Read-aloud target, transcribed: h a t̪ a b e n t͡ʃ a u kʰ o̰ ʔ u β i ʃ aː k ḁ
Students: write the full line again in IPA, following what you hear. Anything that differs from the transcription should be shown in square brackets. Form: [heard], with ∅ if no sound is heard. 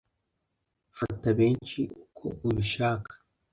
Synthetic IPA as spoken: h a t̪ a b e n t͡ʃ [i] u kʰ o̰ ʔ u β i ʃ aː k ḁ